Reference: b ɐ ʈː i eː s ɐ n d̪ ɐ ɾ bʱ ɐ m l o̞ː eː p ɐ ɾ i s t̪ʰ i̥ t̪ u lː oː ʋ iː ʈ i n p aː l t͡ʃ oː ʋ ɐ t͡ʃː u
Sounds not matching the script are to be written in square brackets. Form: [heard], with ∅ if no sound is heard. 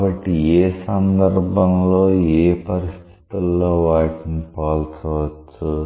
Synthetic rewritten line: b ɐ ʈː i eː s ɐ n d̪ ɐ ɾ bʱ ɐ m l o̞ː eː p ɐ ɾ i s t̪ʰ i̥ t̪ u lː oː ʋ [aː] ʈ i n p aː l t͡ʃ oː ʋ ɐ t͡ʃː u